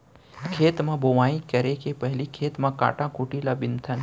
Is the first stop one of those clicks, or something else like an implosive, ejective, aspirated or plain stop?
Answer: aspirated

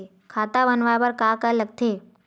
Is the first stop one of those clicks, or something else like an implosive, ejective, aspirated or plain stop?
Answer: aspirated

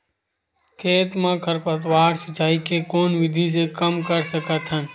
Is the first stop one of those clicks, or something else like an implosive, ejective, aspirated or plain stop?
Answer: aspirated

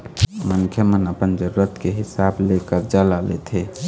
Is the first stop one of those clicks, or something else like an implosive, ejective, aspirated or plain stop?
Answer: aspirated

